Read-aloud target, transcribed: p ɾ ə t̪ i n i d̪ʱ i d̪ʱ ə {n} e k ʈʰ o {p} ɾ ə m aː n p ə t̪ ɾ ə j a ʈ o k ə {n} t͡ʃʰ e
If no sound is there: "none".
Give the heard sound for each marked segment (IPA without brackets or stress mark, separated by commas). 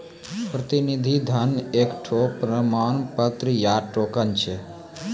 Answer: n, p, n